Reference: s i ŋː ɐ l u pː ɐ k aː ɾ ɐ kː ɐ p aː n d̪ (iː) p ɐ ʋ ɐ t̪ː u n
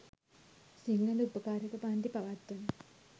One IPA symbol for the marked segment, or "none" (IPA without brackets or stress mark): i